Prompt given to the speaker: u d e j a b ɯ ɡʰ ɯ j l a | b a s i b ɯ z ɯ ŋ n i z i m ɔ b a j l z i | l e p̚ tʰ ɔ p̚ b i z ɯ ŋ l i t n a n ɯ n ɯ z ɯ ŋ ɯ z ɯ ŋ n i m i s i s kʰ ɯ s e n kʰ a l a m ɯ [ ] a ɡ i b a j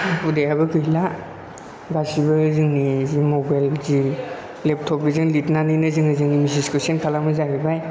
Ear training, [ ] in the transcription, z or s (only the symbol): z